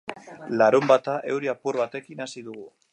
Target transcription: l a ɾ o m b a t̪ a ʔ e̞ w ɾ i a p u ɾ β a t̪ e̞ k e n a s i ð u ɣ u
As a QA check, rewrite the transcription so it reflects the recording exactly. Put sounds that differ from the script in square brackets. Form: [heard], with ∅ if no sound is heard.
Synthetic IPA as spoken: l a ɾ [u] m b a t̪ a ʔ e̞ w ɾ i a p u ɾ β a t̪ e̞ k [i] n a s i ð u ɣ u